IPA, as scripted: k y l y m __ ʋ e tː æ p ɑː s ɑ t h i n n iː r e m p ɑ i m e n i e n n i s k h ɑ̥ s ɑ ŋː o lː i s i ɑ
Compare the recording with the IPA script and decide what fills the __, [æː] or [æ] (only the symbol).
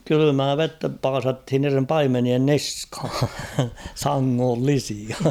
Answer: æː